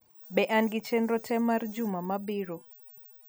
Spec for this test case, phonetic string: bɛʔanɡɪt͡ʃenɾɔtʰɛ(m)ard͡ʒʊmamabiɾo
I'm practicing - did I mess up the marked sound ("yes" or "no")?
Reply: no